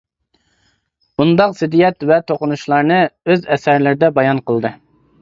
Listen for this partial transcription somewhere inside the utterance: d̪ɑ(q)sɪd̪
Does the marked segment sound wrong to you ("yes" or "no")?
no